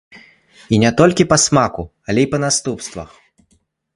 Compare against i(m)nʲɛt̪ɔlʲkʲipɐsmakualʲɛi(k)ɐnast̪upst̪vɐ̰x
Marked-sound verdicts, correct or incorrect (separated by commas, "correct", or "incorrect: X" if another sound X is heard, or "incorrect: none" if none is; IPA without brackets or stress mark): incorrect: none, incorrect: p